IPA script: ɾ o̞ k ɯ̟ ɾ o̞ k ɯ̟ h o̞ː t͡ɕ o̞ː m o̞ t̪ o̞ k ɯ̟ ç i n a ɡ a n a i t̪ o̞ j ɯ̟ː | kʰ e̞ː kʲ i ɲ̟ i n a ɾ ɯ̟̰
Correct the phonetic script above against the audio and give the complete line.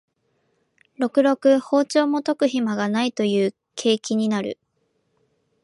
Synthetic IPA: ɾ o̞ k ɯ̟ ɾ o̞ k ɯ̟ h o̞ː t͡ɕ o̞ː m o̞ t̪ o̞ k ɯ̟ ç i m a ɡ a n a i t̪ o̞ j ɯ̟ː | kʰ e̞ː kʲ i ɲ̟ i n a ɾ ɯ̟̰

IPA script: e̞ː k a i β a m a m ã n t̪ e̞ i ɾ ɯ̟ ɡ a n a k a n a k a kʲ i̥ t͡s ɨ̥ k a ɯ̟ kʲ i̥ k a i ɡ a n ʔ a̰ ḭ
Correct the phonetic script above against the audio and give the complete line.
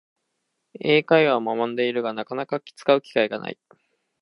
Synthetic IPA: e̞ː k a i β a m a m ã n d̪ e̞ i ɾ ɯ̟ ɡ a n a k a n a k a kʲ i̥ t͡s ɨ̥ k a ɯ̟ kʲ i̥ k a i ɡ a n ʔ a̰ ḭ

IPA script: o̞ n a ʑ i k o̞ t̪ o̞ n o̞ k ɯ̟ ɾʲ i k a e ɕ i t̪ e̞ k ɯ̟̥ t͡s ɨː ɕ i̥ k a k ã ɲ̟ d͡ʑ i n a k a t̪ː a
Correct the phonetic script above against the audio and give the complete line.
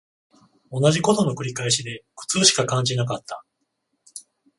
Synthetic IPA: o̞ n a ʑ i k o̞ t̪ o̞ n o̞ k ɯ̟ ɾʲ i k a e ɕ i d̪ e̞ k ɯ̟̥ t͡s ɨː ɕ i̥ k a k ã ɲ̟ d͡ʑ i n a k a t̪ː a

